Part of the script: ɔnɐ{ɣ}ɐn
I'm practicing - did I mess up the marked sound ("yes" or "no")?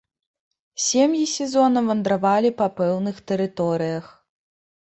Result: yes